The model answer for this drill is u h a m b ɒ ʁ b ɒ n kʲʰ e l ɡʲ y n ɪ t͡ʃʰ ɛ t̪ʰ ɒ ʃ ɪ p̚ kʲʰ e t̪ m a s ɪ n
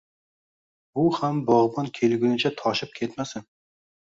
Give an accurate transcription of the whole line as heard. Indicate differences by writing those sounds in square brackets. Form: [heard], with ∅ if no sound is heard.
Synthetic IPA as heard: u h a m b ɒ ʁ b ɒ n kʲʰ e l ɡʲ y n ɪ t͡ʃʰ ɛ t̪ʰ ɒ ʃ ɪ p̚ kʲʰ e t̪ m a s ɪ n